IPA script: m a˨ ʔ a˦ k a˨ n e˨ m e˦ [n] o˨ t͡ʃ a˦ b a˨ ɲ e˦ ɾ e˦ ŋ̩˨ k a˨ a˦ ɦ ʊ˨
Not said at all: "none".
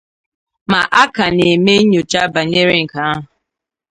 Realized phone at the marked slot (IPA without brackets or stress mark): ɲ